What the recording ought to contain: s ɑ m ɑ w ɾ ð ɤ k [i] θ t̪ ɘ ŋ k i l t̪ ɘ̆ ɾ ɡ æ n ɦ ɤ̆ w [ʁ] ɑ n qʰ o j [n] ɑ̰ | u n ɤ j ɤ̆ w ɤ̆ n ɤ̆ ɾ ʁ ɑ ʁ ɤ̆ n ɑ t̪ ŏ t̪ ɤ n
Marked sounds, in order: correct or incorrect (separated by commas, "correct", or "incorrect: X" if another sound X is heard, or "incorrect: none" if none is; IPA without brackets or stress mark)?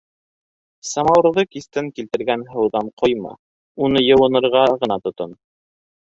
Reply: correct, incorrect: ð, incorrect: m